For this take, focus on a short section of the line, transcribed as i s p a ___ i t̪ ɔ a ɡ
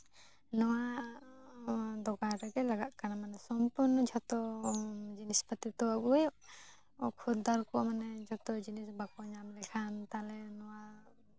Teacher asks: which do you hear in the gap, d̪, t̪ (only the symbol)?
t̪